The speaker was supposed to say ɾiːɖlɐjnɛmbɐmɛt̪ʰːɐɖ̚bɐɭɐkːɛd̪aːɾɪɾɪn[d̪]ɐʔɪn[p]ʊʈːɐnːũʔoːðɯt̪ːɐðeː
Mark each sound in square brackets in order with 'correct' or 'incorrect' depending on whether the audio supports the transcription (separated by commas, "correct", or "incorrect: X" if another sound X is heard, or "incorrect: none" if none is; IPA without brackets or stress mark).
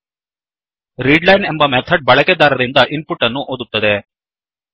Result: correct, correct